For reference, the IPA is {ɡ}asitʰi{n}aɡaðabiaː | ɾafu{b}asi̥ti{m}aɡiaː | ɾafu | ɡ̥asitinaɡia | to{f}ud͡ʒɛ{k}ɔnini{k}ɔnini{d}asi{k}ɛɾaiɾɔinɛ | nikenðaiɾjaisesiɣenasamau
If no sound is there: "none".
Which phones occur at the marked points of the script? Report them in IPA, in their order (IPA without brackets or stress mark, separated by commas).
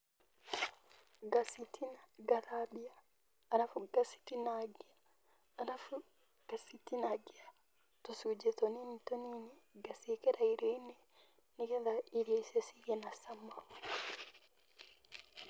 ɡ, n, ɡ, n, s, t, t, ɡ, k